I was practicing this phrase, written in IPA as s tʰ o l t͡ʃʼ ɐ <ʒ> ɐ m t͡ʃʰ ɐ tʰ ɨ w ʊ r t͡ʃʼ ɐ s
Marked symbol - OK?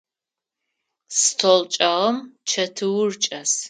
no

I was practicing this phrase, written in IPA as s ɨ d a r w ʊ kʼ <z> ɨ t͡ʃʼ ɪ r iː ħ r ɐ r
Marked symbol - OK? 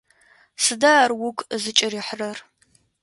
yes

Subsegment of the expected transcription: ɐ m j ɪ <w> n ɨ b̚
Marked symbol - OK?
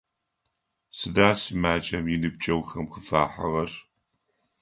no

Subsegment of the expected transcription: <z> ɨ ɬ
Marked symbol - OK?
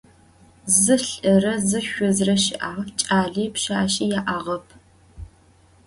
yes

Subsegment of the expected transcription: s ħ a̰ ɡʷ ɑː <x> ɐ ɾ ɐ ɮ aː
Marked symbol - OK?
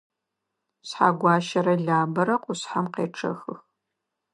no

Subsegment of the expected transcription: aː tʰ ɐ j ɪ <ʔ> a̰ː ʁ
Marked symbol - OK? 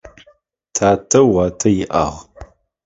yes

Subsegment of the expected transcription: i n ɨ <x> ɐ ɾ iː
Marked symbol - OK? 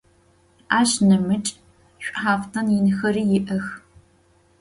yes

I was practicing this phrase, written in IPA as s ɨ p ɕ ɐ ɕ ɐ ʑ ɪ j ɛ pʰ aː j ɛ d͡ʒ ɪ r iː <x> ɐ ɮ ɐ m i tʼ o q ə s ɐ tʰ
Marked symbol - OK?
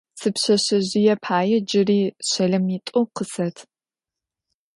no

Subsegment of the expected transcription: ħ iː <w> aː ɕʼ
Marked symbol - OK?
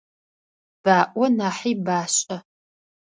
no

